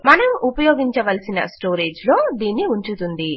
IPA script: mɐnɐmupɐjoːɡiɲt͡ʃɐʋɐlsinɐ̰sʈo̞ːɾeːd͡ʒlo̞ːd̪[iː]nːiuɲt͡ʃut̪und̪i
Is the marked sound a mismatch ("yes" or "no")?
no